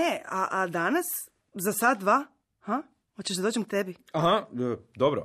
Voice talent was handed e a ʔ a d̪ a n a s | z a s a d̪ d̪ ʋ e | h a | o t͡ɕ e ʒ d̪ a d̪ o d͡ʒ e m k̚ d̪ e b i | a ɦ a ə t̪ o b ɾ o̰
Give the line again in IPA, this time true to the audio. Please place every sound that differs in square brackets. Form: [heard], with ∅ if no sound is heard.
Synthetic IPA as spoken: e a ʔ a d̪ a n a s | z a s a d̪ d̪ ʋ [a] | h a | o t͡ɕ e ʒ d̪ a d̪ o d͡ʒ e m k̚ [t̪] e b i | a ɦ a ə [d̪] o b ɾ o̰